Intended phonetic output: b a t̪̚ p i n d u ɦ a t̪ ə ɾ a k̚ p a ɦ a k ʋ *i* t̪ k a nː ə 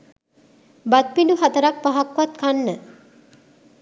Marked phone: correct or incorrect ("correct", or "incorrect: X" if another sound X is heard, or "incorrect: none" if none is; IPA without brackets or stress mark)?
incorrect: a